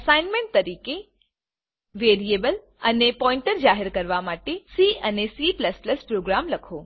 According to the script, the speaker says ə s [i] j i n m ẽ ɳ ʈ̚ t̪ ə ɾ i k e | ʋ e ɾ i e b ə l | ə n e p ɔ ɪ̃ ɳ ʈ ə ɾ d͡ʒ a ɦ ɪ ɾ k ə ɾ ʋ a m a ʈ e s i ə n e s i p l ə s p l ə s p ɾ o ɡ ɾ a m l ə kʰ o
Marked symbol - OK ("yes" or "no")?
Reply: no